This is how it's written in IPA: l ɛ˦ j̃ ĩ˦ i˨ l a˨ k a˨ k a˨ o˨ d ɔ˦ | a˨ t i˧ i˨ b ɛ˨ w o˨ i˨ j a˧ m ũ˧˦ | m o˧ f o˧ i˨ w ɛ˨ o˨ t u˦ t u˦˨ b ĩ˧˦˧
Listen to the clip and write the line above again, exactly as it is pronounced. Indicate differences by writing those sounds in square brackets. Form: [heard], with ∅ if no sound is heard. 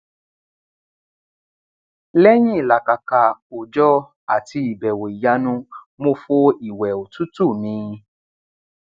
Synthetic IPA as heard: l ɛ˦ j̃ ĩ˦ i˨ l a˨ k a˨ k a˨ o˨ [d͡ʒ] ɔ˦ | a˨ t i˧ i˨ b ɛ˨ w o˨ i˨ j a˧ [n] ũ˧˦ | m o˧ f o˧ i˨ w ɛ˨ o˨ t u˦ t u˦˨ [m] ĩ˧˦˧